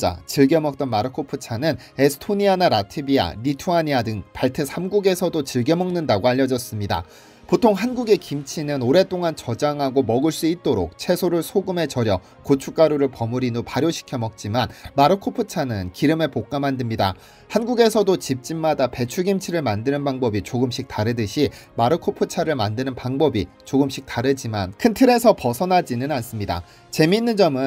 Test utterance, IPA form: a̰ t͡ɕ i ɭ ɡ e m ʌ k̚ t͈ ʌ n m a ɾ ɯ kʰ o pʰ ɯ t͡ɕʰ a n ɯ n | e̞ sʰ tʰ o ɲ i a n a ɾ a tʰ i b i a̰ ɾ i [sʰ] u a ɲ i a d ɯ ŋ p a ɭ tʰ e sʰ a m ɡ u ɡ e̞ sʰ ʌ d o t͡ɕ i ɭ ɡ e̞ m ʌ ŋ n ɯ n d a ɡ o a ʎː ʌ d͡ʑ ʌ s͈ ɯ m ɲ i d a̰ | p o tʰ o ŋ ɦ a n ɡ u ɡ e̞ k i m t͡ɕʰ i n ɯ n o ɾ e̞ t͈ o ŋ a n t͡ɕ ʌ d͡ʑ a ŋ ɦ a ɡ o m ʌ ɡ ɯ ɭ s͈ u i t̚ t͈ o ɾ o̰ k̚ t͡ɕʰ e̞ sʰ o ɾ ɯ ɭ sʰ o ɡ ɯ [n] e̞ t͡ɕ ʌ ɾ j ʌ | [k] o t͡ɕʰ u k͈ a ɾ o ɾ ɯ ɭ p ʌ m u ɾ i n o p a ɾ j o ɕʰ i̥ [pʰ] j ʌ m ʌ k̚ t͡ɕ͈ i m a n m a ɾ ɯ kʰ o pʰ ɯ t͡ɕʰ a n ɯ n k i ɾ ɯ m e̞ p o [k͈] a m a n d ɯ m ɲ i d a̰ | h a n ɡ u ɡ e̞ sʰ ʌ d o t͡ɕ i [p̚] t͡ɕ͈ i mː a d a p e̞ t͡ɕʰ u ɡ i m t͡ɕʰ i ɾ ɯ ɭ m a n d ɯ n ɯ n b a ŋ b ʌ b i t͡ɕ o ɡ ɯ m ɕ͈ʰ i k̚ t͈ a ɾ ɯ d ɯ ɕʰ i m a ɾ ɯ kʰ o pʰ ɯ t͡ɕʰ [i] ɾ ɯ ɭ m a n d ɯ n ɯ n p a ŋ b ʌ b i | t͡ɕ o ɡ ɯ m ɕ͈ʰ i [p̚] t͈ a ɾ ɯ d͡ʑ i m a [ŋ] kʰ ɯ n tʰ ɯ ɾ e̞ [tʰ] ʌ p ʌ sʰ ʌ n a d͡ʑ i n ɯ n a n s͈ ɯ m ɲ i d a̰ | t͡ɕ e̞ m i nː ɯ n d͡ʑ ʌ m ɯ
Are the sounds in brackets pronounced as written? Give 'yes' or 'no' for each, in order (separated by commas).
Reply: no, no, yes, no, yes, yes, no, no, no, no